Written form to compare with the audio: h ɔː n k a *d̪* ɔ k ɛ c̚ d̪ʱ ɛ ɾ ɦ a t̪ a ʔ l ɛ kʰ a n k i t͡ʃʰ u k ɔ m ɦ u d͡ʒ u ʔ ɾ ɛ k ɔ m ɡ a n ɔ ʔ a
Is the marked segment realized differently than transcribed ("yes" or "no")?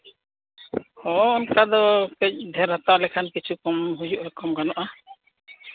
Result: no